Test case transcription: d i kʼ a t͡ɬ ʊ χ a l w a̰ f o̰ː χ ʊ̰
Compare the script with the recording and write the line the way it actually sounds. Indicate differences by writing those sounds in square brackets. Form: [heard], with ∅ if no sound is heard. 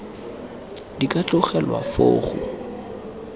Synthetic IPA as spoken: d i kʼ a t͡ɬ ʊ χ [ɛ] l w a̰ f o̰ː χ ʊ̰